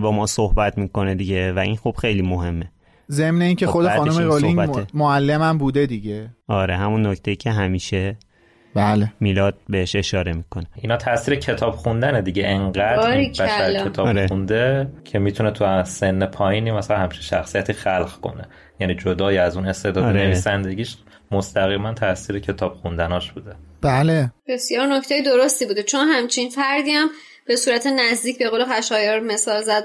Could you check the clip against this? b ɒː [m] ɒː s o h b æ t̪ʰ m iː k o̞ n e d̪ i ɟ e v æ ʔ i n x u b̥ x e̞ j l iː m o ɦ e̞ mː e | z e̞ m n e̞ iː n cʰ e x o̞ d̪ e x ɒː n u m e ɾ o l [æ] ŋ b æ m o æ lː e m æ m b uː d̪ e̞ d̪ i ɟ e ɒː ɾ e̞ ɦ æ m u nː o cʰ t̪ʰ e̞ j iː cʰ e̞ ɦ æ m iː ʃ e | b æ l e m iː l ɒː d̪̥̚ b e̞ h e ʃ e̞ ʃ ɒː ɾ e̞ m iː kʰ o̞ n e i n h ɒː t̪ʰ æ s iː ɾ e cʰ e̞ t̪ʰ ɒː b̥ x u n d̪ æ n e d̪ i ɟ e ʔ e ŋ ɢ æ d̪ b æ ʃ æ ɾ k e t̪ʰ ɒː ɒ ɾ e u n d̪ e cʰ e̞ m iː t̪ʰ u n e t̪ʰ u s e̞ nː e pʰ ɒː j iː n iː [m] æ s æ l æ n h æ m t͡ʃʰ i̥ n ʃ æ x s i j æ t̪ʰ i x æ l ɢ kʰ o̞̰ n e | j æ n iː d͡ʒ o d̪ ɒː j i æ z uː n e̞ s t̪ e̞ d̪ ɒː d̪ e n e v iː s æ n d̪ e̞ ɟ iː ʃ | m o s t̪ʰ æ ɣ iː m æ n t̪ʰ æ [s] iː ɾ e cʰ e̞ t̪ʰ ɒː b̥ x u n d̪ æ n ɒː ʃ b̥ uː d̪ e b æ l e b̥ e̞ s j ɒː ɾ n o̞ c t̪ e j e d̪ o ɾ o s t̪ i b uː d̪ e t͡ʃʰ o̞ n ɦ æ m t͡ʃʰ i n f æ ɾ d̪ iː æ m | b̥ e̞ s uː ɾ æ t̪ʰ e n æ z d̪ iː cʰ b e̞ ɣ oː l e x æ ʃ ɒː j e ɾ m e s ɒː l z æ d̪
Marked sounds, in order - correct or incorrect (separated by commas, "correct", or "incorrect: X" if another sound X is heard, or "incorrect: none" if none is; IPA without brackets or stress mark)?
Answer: correct, incorrect: i, correct, correct